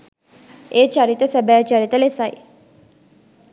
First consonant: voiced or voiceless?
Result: voiceless